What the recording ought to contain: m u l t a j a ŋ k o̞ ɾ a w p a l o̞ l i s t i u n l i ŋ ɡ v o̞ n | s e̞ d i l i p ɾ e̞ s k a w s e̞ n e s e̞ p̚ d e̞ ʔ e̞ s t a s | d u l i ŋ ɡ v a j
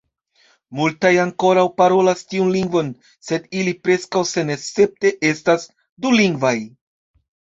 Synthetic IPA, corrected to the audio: m u l t a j a ŋ k o̞ ɾ a w p a ɾ o̞ l a s t i u n l i ŋ ɡ v o̞ n | s e̞ d i l i p ɾ e̞ s k a w s e̞ n e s e̞ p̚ t e̞ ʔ e̞ s t a s | d u l i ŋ ɡ v a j